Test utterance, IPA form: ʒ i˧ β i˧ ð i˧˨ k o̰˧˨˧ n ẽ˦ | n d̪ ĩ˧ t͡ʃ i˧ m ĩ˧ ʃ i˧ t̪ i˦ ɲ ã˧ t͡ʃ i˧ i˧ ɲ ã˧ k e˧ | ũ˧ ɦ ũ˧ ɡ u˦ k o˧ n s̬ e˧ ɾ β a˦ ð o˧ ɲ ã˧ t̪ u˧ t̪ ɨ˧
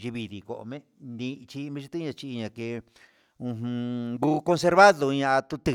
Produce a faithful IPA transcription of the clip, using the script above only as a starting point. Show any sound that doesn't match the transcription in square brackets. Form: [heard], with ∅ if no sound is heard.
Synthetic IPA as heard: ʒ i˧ β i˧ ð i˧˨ k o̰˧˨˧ [m] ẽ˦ | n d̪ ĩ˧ t͡ʃ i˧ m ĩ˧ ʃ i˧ t̪ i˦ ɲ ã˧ t͡ʃ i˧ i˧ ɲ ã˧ k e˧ | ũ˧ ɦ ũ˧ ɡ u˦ k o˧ n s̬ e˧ ɾ β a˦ ð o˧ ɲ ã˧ t̪ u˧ t̪ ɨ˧